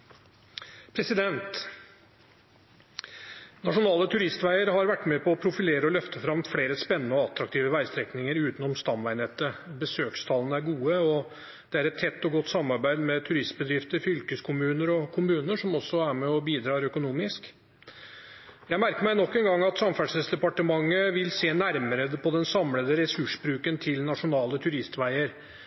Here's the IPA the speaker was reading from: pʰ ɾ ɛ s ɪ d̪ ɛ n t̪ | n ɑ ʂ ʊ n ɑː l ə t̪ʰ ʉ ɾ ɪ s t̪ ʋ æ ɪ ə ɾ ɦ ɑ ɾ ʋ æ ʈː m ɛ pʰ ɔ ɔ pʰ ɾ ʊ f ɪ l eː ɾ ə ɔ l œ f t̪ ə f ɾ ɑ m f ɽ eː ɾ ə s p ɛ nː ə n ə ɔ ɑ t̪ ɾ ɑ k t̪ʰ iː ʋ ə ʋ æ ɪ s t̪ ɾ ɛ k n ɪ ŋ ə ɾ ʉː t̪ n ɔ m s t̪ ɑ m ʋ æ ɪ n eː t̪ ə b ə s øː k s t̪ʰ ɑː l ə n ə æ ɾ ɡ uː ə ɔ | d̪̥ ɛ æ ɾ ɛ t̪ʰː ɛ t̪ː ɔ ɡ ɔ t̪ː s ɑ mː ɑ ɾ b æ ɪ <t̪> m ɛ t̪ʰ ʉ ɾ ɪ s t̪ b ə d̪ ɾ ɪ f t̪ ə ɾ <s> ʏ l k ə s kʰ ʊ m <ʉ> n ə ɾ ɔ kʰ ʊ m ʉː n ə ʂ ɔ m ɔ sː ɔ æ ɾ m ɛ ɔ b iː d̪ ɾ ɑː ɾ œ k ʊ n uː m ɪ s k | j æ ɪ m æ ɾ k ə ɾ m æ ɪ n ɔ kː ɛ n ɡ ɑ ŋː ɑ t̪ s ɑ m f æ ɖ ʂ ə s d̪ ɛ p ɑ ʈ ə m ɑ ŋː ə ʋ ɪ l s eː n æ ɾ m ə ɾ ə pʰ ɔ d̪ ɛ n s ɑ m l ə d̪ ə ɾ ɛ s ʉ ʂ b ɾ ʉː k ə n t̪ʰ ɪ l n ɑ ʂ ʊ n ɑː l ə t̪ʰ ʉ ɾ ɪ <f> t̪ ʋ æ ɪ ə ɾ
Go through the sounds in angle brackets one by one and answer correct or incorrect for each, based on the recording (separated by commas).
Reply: incorrect, incorrect, incorrect, incorrect